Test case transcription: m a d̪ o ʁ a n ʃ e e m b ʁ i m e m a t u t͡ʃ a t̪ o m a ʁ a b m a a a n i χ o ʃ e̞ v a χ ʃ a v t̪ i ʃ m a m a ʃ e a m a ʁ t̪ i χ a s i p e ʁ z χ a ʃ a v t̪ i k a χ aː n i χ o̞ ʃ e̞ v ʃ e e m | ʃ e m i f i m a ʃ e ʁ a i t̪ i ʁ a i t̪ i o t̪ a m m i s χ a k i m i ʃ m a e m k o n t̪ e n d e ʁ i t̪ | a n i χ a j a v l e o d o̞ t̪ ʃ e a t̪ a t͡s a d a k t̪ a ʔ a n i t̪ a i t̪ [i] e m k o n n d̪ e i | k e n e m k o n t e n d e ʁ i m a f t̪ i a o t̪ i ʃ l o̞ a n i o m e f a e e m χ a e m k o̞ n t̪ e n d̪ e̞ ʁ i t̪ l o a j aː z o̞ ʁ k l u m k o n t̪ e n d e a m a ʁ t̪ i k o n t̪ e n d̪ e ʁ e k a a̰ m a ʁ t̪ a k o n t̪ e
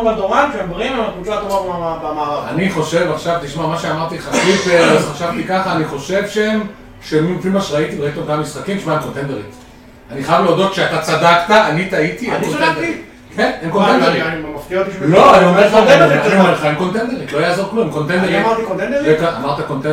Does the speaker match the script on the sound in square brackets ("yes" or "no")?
yes